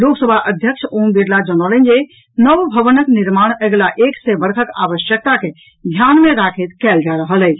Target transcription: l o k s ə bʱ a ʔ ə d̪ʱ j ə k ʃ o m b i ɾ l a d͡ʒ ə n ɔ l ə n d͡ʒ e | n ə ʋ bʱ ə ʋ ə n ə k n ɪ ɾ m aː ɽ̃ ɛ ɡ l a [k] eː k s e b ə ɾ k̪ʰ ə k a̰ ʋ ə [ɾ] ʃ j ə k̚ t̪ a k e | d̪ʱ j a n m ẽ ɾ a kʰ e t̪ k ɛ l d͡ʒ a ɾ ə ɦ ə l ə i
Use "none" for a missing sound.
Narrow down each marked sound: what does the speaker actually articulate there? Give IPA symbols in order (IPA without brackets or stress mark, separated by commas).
ʔ, none